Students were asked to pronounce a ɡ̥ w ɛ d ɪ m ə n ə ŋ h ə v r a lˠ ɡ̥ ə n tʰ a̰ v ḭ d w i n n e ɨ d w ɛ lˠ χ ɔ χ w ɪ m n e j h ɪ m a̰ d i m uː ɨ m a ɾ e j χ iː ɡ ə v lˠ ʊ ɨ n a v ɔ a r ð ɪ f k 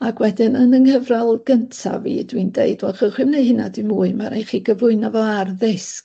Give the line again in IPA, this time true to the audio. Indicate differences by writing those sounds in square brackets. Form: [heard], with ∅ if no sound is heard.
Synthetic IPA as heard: a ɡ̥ w ɛ d ɪ [n] ə n ə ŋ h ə v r a lˠ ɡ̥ ə n tʰ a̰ v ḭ d w i n [d] e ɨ d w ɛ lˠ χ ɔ χ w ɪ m n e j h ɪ [n] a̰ d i m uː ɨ m a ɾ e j χ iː ɡ ə v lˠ ʊ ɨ n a v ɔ a r ð ɪ [s] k